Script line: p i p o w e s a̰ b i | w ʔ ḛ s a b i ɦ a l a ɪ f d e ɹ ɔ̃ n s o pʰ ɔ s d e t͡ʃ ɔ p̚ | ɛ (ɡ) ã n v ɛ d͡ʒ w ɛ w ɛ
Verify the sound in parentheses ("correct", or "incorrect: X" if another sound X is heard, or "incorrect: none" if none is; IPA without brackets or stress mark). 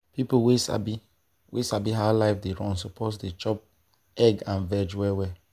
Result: correct